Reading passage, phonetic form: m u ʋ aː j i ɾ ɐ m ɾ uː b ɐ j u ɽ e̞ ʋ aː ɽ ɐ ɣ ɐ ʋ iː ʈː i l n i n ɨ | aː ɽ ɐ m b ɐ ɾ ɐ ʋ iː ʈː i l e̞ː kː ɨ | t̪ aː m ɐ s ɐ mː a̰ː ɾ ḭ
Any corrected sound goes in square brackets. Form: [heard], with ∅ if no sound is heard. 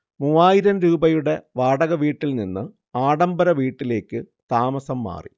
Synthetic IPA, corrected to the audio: m u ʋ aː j i ɾ ɐ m ɾ uː b ɐ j u ɽ e̞ ʋ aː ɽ ɐ ɣ ɐ ʋ iː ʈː i l n i [nː] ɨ | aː ɽ ɐ m b ɐ ɾ ɐ ʋ iː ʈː i l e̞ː kː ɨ | t̪ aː m ɐ s ɐ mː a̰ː [r] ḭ